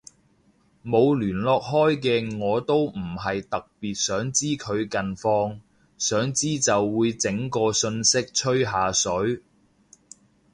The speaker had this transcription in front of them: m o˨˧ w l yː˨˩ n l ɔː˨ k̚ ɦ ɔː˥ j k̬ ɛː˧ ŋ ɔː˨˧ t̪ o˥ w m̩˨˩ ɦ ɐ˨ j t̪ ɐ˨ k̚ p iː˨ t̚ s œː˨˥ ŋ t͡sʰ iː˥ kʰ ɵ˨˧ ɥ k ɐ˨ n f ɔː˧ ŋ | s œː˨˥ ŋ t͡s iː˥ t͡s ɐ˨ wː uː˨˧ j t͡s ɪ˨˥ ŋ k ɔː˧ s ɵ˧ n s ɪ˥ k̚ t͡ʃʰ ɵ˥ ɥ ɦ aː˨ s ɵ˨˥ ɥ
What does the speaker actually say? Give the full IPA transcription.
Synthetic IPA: m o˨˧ w l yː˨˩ n l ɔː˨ k̚ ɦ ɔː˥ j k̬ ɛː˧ ŋ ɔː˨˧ t̪ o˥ w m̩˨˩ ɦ ɐ˨ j t̪ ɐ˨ k̚ p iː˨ t̚ s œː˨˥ ŋ t͡s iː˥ kʰ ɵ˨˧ ɥ k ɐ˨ n f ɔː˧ ŋ | s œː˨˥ ŋ t͡s iː˥ t͡s ɐ˨ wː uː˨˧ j t͡s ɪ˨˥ ŋ k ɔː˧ s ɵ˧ n s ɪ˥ k̚ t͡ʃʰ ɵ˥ ɥ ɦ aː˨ s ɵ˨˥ ɥ